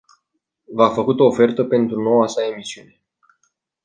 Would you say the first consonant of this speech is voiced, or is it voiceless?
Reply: voiced